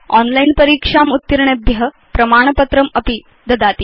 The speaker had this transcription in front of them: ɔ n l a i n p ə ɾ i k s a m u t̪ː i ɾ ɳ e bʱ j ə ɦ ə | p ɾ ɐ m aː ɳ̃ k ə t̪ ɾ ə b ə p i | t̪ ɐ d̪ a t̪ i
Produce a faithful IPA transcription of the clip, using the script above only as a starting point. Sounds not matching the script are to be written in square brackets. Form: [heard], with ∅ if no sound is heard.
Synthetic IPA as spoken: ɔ n l a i n p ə ɾ i k [ʂ] a m u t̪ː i ɾ ɳ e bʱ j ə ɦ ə | p ɾ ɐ m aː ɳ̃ [p] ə t̪ ɾ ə [m] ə p i | [d̪] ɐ d̪ a t̪ i